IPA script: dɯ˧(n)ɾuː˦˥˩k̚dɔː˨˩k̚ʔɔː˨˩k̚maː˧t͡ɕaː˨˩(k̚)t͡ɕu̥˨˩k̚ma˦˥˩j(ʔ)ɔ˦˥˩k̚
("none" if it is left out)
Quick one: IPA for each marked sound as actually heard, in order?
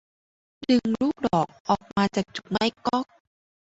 ŋ, k̚, k

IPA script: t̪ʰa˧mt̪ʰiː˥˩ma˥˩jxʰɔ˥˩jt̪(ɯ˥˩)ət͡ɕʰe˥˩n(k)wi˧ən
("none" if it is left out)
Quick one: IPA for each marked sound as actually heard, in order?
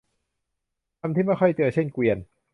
ɯ˧, k

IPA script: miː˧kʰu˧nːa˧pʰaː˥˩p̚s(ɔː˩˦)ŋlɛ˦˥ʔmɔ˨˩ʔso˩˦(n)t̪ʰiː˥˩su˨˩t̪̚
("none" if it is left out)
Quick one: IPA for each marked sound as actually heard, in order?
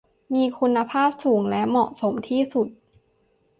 uː˩˦, m

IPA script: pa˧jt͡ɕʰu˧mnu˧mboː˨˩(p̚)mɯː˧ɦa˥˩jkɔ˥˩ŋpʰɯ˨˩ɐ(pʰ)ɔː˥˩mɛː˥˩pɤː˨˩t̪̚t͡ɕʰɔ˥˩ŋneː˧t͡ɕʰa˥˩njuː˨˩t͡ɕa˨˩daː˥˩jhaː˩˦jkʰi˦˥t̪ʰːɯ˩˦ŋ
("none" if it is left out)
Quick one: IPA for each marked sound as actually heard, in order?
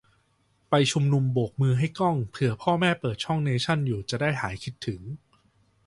k̚, pʰ

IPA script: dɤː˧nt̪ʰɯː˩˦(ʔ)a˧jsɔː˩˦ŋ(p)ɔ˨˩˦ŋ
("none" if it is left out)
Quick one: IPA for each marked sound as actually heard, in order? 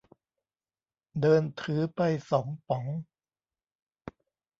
p, p

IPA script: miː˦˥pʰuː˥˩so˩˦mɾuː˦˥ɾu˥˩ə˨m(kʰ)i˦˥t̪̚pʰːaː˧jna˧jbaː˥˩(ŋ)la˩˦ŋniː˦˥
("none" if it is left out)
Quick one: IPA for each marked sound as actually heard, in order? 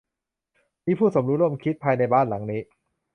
kʰ, n

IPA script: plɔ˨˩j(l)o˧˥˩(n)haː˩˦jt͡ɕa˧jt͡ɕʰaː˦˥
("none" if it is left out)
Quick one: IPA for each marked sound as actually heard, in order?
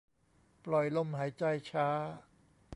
l, m

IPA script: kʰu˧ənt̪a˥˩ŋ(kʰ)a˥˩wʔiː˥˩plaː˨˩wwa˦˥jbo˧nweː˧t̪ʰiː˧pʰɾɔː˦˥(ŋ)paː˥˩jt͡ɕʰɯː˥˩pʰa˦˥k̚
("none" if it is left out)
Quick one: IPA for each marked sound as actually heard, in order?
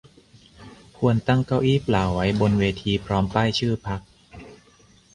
k, m

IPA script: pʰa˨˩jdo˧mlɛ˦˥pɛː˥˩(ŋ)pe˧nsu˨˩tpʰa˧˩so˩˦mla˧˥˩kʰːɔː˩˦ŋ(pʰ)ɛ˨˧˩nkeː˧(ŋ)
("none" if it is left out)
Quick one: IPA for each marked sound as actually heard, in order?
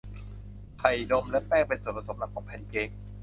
ŋ, pʰ, ŋ

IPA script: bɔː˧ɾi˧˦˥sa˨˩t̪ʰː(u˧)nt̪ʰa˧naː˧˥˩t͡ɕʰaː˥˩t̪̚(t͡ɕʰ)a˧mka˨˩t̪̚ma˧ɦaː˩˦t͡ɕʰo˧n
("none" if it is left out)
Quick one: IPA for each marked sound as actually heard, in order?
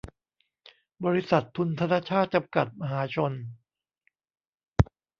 u˧, t͡ɕ

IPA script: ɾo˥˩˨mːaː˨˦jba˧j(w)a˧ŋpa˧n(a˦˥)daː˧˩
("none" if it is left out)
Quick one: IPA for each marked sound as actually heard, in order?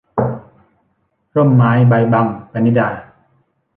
b, i˦˥

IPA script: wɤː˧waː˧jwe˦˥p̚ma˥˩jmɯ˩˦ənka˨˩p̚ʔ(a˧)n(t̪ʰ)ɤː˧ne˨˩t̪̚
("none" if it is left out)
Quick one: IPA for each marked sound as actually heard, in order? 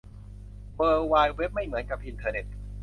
i˧, t̪ʰ

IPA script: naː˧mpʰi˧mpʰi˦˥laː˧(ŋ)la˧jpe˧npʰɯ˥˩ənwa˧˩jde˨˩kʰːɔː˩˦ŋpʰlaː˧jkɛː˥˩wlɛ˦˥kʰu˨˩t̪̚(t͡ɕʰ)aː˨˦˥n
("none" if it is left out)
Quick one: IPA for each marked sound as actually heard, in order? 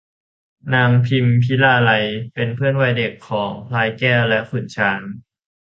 none, t͡ɕʰ

